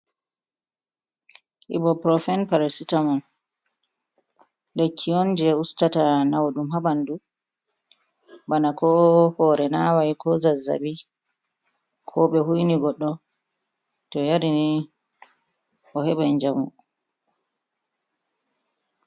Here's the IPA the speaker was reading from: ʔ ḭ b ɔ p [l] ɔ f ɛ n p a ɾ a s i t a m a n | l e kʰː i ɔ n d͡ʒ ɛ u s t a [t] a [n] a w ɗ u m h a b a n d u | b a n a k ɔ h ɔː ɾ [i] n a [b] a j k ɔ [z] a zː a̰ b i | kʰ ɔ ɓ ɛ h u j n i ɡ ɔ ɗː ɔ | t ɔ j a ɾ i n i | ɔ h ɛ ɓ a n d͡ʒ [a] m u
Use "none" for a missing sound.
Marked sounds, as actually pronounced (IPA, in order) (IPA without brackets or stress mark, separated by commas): ɾ, t, n, ɛ, w, z, a